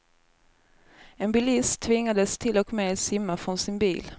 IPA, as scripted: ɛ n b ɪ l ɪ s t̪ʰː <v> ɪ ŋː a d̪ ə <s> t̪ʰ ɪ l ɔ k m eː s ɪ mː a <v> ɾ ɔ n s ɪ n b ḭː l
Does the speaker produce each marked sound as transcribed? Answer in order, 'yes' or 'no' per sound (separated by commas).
yes, yes, no